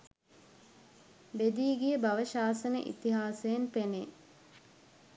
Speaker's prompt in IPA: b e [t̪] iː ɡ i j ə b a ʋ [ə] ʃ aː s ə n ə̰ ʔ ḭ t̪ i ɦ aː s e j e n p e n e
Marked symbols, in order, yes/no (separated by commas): no, yes